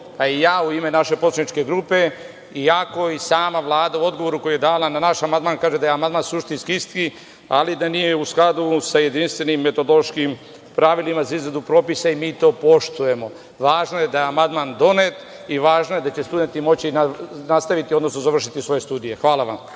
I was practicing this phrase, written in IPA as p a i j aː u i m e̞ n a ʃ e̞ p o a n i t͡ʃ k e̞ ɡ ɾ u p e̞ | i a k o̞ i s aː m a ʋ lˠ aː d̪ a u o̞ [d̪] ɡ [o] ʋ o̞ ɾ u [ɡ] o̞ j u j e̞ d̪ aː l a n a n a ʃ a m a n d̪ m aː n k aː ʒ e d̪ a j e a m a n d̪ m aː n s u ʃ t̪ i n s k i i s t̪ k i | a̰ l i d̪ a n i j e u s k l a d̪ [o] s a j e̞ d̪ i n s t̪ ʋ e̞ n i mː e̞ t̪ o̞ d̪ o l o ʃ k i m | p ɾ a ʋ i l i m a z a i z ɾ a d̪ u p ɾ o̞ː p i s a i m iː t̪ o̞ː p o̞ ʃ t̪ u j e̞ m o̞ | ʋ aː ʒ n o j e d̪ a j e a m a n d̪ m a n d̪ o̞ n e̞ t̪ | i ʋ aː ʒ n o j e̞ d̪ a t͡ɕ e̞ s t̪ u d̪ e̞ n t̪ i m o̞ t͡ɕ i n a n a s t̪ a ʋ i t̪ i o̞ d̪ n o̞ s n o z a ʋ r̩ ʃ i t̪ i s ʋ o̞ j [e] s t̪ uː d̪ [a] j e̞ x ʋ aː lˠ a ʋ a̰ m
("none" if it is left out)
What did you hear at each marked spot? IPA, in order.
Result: d̪, o, k, u, e, i

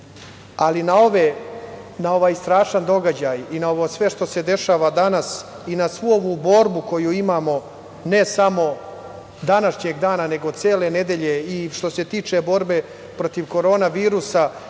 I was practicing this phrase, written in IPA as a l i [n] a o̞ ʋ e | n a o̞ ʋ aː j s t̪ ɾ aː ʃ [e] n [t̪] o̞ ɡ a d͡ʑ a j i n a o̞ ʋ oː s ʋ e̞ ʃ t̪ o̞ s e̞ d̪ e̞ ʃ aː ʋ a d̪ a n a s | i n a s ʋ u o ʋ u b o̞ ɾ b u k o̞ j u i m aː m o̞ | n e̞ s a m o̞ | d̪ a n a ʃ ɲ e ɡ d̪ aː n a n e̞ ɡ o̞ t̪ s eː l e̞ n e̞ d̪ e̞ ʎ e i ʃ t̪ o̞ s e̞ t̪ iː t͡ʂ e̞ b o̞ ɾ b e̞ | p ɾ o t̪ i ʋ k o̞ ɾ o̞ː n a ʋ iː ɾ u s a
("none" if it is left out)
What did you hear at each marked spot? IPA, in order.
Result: n, a, d̪

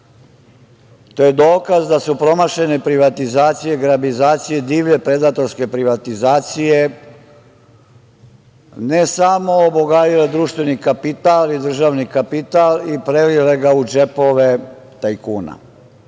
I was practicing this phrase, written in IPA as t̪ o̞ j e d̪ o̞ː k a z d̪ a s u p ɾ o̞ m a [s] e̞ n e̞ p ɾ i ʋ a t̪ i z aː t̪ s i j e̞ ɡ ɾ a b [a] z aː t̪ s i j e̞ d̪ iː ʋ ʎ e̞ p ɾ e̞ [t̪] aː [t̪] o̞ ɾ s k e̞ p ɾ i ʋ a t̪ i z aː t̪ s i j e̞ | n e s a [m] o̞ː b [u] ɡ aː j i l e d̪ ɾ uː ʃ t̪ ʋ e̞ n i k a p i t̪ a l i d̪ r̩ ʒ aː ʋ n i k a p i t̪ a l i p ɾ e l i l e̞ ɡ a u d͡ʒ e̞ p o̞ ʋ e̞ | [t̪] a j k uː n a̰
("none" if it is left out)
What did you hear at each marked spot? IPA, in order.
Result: ʃ, i, d̪, t̪, m, o, t̪

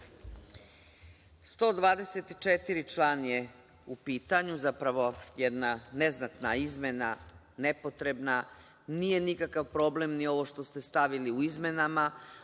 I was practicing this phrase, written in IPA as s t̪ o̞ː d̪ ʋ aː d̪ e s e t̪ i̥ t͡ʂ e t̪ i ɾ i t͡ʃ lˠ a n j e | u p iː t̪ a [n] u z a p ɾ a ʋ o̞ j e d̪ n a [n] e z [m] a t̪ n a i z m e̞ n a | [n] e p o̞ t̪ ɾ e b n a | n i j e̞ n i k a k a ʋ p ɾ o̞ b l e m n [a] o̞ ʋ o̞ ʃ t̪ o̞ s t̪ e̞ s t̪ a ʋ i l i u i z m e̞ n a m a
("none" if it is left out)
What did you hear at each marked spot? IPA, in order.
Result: ɲ, n, n, n, i

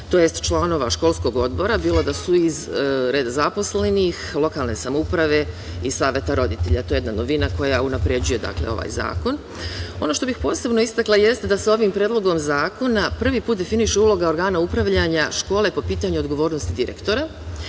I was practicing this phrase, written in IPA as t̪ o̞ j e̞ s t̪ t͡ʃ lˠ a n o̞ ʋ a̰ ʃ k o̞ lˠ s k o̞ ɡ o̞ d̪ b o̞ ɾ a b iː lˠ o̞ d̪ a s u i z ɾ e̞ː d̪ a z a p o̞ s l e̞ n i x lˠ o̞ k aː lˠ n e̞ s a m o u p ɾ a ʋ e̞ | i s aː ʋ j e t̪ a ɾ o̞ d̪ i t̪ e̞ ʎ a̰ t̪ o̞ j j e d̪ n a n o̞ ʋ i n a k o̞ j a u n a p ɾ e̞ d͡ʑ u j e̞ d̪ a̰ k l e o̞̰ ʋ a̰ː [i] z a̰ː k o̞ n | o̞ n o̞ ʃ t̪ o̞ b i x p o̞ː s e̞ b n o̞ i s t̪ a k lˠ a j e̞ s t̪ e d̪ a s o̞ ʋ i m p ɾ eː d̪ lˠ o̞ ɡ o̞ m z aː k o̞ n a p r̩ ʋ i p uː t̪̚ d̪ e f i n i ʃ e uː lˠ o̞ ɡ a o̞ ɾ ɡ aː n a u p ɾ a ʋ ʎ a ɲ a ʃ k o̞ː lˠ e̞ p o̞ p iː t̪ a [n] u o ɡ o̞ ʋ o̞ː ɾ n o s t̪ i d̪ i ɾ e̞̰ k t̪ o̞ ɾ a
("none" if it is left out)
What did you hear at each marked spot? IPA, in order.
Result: j, ɲ

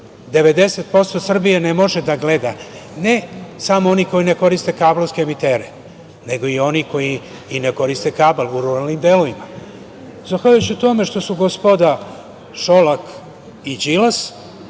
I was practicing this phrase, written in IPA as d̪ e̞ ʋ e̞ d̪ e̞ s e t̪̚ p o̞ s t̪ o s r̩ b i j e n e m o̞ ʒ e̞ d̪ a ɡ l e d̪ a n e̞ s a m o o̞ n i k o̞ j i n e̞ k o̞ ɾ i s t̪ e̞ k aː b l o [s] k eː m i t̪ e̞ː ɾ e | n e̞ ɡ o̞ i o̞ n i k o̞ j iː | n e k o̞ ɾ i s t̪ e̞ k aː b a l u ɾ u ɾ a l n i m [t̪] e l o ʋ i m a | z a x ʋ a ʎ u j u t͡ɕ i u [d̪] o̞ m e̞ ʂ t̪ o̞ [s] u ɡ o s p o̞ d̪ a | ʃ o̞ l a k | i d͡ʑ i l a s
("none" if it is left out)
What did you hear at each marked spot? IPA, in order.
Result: s, d̪, t̪, s

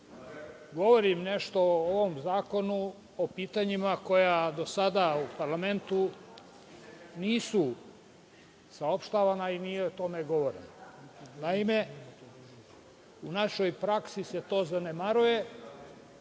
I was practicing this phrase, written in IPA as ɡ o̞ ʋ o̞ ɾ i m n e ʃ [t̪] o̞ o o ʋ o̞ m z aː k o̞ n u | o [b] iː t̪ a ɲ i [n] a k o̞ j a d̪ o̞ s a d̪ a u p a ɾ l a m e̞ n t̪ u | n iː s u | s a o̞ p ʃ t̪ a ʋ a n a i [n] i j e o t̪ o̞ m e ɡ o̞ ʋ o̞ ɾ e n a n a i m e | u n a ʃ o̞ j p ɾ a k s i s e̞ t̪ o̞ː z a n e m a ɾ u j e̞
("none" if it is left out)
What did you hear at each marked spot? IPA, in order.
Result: t̪, p, m, n

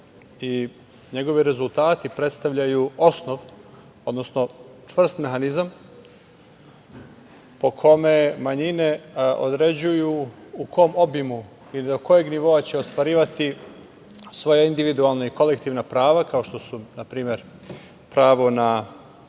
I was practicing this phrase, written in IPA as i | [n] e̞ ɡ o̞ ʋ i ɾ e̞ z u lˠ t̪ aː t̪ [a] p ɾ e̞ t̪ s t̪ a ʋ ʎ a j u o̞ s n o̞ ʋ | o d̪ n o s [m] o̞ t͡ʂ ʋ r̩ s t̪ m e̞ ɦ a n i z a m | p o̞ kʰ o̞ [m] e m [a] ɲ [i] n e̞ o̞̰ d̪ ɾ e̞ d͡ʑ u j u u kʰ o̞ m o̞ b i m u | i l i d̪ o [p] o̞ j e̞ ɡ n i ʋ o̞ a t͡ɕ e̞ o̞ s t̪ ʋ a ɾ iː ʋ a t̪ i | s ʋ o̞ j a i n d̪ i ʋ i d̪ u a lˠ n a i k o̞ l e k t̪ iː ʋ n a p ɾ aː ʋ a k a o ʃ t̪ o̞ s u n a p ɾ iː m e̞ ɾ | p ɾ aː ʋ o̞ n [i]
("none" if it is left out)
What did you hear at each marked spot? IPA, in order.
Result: ɲ, i, n, m, a, i, k, a

